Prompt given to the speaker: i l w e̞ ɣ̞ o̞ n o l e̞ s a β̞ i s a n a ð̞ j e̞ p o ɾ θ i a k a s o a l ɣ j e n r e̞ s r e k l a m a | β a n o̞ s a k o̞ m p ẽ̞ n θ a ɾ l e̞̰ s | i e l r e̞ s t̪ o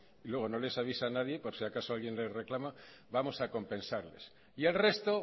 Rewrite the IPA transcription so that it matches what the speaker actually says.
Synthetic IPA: i l w e̞ ɣ̞ o̞ n o l e̞ s a β̞ i s a n a ð̞ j e̞ p o ɾ s i a k a s o a l ɣ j e n l e̞ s r e k l a m a | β a m o̞ s a k o̞ m p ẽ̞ n s a ɾ l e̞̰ s | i e l r e̞ s t̪ o